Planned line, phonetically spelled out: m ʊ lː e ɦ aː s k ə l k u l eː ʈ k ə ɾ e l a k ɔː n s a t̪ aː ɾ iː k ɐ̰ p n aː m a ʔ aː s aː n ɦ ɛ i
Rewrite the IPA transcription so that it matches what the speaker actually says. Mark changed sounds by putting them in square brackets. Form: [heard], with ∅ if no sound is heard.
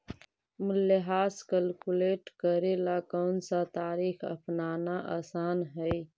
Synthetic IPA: m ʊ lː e ɦ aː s k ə l k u l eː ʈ k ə ɾ e l a k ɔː n s a t̪ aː ɾ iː [x] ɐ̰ p n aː [n] a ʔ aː s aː n ɦ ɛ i

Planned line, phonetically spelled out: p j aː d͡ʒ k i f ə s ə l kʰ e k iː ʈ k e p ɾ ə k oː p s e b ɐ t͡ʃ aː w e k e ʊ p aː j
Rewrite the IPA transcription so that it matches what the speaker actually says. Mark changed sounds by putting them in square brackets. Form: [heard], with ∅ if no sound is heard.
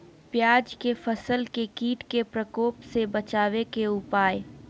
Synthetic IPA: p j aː d͡ʒ k [e] f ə s ə l [k] e k iː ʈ k e p ɾ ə k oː p s e b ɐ t͡ʃ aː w e k e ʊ p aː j

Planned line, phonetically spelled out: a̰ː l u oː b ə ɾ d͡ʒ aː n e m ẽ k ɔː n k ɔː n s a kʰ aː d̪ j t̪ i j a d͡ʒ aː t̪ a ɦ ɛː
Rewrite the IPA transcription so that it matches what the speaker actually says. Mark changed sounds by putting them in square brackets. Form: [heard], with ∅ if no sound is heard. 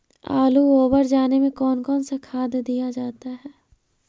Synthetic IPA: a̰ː l u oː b ə ɾ d͡ʒ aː n e m ẽ k ɔː n k ɔː n s a kʰ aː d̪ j [d̪] i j a d͡ʒ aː t̪ a ɦ ɛː

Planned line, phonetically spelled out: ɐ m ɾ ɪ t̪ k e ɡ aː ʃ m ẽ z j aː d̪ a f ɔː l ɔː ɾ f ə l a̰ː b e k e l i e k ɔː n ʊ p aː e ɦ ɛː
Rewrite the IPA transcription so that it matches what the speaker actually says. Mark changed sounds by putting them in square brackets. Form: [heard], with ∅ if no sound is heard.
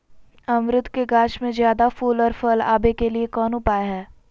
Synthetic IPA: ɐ m ɾ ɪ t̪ k e ɡ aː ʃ m ẽ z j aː d̪ a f [uː] l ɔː ɾ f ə l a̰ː b e k e l i e k ɔː n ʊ p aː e ɦ ɛː

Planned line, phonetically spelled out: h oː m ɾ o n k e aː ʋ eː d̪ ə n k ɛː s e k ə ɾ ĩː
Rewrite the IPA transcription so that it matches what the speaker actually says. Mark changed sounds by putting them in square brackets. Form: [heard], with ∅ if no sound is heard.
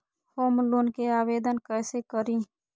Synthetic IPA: h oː m [l] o n k e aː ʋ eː d̪ ə n k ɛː s e k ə ɾ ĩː

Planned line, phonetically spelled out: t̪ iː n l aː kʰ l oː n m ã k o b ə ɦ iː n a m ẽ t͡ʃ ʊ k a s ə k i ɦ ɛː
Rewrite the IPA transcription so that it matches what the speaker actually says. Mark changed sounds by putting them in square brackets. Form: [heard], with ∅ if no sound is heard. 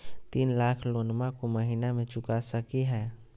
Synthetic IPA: t̪ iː n l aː kʰ l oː n m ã k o [m] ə ɦ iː n a m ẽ t͡ʃ ʊ k a s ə k i ɦ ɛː

